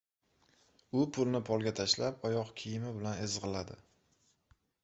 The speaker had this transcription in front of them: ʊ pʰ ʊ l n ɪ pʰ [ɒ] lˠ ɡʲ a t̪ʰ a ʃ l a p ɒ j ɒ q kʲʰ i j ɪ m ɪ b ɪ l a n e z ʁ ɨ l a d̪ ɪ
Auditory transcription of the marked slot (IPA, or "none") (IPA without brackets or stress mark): ɒ